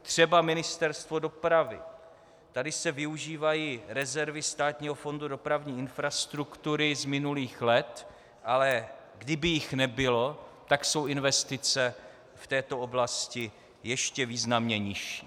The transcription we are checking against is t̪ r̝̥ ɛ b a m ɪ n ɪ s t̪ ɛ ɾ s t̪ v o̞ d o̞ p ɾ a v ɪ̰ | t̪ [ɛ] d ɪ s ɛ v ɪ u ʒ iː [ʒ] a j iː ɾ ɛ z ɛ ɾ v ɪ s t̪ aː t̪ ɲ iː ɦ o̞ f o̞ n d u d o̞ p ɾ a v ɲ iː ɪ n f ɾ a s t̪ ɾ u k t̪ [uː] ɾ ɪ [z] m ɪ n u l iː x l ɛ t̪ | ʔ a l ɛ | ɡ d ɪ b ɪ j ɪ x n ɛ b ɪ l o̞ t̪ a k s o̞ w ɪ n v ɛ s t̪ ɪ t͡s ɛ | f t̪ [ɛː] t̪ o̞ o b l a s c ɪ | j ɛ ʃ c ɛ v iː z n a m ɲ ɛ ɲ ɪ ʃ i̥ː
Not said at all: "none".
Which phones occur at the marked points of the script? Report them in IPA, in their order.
a, v, u, z, ɛː

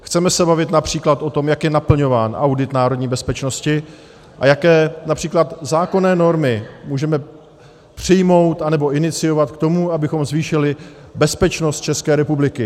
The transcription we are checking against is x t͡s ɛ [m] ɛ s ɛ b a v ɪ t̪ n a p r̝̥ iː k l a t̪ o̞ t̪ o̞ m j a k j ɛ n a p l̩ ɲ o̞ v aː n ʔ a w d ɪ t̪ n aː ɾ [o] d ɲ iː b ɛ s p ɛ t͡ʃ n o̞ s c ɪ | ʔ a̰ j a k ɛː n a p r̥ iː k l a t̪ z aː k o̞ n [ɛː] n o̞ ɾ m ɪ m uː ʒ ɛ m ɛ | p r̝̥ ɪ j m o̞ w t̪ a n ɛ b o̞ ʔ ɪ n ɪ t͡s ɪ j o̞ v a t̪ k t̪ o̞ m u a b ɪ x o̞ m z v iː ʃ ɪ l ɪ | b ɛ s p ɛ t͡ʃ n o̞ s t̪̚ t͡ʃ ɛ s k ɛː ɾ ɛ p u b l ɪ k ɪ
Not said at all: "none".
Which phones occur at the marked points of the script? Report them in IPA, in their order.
m, o, ɛː

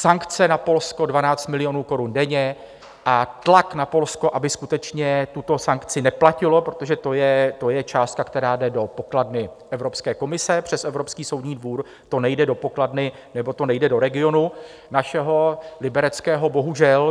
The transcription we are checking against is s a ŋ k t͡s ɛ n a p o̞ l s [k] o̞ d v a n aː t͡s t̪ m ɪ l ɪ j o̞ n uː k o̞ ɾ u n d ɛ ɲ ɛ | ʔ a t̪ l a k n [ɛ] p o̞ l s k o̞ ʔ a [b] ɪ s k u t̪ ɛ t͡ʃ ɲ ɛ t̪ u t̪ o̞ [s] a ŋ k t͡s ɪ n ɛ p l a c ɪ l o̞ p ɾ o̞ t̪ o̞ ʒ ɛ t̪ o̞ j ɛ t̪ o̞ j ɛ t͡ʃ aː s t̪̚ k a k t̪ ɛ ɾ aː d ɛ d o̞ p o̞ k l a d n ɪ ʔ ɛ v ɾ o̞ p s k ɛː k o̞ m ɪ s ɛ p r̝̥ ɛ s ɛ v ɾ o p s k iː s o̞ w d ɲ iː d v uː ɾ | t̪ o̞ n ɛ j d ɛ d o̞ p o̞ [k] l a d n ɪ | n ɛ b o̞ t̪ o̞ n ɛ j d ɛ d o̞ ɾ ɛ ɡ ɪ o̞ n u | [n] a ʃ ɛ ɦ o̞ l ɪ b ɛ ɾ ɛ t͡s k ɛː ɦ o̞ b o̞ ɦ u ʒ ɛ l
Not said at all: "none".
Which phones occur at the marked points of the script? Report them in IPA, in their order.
k, a, b, s, k, n

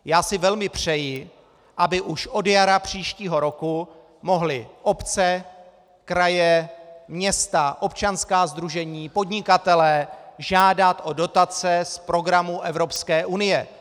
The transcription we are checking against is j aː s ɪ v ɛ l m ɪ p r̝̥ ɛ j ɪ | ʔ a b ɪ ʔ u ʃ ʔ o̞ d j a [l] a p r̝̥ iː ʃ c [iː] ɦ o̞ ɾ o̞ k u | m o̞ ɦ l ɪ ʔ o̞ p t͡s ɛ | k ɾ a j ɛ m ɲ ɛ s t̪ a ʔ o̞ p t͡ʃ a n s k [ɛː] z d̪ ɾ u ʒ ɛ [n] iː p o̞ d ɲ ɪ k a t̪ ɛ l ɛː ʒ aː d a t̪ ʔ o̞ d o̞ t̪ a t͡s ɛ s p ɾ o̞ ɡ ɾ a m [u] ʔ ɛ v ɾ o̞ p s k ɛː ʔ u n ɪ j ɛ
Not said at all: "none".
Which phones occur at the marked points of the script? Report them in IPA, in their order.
ɾ, iː, aː, ɲ, u

